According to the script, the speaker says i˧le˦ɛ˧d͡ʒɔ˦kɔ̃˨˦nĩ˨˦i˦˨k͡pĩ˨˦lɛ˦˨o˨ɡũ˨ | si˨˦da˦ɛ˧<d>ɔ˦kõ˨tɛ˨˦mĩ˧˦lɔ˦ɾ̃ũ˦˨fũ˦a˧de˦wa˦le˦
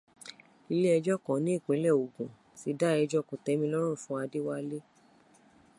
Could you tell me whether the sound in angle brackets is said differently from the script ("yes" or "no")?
yes